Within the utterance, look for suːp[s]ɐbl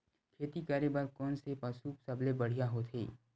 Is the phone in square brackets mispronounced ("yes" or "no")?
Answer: no